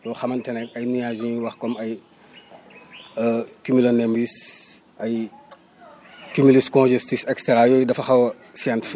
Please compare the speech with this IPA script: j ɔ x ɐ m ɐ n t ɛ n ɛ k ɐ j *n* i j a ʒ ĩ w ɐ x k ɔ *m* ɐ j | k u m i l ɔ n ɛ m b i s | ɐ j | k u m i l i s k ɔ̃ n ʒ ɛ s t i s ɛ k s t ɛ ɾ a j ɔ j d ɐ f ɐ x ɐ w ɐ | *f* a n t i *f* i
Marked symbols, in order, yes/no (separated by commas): yes, yes, no, yes